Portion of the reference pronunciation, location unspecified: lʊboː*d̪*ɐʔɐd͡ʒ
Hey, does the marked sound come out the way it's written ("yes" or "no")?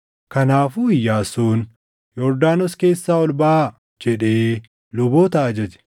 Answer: no